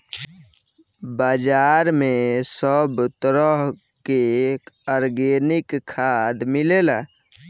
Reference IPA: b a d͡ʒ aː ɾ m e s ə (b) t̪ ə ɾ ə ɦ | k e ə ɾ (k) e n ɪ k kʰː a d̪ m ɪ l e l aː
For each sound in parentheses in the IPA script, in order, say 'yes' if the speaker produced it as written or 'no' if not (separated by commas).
yes, no